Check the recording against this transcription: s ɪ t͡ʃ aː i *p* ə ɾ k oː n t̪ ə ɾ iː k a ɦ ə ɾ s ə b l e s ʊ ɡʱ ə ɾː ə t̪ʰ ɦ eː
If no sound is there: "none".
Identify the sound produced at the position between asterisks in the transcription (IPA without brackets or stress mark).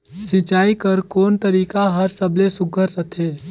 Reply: k